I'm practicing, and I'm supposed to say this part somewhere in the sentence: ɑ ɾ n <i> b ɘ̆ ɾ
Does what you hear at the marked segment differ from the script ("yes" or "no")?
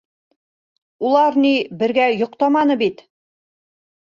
no